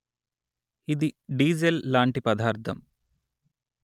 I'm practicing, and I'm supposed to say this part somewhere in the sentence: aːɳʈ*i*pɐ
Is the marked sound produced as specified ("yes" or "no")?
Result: yes